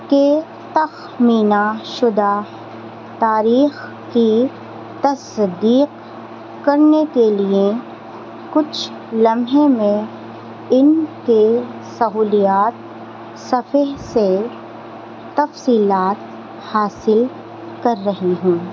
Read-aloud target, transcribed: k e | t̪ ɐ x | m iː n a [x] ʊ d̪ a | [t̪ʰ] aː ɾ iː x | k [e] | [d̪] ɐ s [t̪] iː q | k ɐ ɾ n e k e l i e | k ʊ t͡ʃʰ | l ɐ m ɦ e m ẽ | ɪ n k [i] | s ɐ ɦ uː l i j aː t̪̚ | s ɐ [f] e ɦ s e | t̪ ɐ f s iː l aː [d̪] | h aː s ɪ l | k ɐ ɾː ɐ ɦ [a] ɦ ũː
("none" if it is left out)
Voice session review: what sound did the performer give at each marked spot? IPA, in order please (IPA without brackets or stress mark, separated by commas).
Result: ʃ, t̪, i, t̪, d̪, e, f, t̪, i